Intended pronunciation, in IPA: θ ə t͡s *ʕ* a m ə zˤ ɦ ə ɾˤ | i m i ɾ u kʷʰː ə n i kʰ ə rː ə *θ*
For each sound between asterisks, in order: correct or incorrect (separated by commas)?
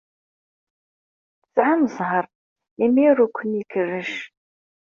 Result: correct, incorrect